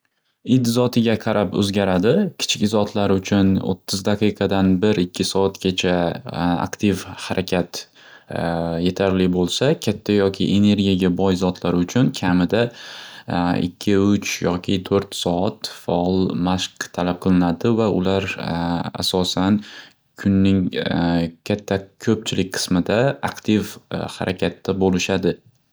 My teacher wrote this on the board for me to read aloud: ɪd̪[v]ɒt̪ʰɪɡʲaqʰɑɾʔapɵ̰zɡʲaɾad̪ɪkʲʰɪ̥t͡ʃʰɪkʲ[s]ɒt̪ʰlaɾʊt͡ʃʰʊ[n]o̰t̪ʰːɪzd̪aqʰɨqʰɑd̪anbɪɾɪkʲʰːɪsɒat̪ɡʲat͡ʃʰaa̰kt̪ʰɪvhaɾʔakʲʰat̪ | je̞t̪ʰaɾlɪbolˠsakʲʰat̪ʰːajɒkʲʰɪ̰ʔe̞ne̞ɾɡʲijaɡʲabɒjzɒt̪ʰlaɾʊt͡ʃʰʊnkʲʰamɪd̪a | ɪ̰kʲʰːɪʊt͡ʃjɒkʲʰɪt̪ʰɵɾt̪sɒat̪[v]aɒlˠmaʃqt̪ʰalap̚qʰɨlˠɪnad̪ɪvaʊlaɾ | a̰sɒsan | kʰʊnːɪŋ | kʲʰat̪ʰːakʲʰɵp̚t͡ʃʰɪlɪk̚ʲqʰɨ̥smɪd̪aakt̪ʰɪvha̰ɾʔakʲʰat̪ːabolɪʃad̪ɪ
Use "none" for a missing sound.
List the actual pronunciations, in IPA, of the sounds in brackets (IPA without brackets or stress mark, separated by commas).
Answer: z, z, n, f